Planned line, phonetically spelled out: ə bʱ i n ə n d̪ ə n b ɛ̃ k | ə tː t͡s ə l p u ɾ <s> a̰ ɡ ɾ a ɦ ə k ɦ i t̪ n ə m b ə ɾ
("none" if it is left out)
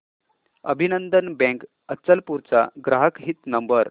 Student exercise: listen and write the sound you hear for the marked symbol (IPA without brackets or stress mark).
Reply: t͡s